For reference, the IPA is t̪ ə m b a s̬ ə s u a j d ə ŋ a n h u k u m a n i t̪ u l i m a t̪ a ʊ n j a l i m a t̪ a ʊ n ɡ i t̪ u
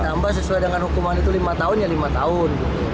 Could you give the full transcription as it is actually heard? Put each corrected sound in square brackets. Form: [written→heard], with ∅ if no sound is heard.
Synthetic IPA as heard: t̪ [ə→a] m b a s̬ ə s u a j d ə ŋ a n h u k u m a n i t̪ u l i m a t̪ a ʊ n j a l i m a t̪ a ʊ n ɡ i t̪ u